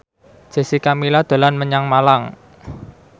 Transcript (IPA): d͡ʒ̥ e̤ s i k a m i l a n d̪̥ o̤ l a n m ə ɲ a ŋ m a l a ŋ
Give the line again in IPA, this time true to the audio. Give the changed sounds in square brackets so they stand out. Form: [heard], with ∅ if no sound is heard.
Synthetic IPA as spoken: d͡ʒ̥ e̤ s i k a m i l a [∅] d̪̥ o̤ l a n m ə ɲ a ŋ m a l a ŋ